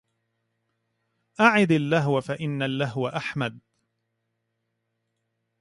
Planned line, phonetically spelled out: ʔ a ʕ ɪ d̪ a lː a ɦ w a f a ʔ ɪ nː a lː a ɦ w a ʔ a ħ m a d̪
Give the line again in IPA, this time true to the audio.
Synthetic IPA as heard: ʔ a ʕ ɪ d̪ a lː a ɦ w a f a ʔ ɪ nː a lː a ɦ w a ʔ a ħ m a d̪

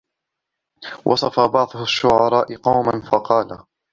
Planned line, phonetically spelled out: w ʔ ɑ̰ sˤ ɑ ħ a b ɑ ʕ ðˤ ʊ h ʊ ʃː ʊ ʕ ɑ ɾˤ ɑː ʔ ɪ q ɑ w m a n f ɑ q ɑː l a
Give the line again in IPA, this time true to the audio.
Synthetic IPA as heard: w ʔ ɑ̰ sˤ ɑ f a b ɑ ʕ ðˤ ʊ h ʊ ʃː ʊ ʕ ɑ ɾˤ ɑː ʔ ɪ q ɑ w m a n f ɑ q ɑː l a

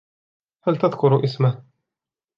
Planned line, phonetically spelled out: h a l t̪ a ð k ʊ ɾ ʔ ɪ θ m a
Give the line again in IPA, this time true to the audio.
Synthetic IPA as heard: h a l t̪ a ð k ʊ ɾ ʔ ɪ s m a

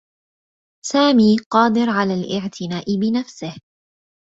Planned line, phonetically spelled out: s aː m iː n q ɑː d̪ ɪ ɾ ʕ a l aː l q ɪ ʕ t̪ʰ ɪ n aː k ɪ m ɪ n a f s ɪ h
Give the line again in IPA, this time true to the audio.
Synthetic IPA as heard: s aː m iː q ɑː d̪ ɪ ɾ ʕ a l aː l ʔ ɪ ʕ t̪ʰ ɪ n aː ʔ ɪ b ɪ n a f s ɪ h

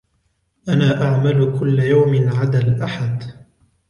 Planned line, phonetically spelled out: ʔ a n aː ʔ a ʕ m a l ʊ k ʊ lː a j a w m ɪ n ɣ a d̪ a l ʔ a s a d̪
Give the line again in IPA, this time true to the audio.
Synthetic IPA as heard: ʔ a n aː ʔ a ʕ m a l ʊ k ʊ lː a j a w m ɪ n ʕ a d̪ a l ʔ a ħ a d̪

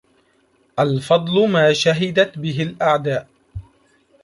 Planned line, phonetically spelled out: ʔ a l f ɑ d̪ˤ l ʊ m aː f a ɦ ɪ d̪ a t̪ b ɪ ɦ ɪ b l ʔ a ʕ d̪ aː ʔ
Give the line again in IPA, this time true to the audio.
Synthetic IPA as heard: ʔ a l f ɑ d̪ˤ l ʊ m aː ʃ a ɦ ɪ d̪ a t̪ b ɪ ɦ ɪ l ʔ a ʕ d̪ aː ʔ

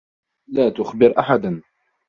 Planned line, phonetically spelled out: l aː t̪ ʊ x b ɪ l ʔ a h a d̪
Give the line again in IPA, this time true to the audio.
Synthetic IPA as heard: l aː t̪ ʊ x b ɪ ɾ ʔ a ħ a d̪

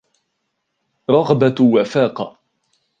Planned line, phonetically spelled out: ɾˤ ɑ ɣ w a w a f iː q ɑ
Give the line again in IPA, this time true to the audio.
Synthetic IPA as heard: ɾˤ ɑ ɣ b a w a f aː q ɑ

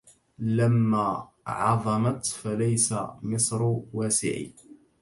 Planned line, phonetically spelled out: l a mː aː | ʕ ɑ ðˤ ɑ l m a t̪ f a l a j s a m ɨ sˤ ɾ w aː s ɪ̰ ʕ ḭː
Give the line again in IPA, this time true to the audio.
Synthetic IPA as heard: l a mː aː | ʕ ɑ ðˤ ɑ m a t̪ f a l a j s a m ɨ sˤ ɾ w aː s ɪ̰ ʕ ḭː

